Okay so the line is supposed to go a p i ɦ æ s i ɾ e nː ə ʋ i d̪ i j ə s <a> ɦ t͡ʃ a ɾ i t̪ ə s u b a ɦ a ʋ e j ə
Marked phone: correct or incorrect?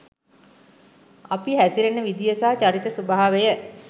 correct